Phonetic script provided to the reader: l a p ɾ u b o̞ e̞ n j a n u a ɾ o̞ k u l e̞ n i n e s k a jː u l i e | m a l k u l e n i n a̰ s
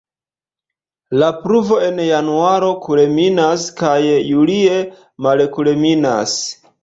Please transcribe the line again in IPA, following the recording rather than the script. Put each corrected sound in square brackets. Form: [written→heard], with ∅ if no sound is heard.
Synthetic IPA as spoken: l a p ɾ u [b→v] o̞ e̞ n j a n u a ɾ o̞ k u l e̞ [n→m] i n [e→a] s k a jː u l i e | m a l k u l e [n→m] i n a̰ s